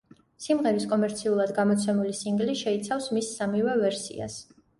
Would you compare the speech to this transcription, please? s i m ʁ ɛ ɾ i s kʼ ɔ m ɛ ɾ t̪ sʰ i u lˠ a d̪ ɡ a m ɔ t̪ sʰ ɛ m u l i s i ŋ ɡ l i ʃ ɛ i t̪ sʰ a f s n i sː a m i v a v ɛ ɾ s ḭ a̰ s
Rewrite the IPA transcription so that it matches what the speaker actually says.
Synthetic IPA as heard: s i m ʁ ɛ ɾ i s kʼ ɔ m ɛ ɾ t̪ sʰ i u lˠ a d̪ ɡ a m ɔ t̪ sʰ ɛ m u l i s i ŋ ɡ l i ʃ ɛ i t̪ sʰ a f s m i sː a m i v ɛ v ɛ ɾ s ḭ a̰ s